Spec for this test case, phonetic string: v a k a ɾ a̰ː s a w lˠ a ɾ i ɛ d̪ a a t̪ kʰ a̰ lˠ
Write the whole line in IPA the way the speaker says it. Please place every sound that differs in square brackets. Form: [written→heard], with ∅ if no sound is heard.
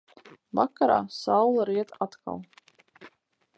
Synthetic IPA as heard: v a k a ɾ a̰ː s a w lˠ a ɾ i ɛ [d̪→t̪] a a t̪ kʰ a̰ lˠ